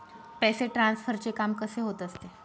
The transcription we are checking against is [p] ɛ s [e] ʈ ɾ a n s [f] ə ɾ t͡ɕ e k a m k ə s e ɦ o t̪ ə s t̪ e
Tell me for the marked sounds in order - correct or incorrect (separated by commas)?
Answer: correct, correct, correct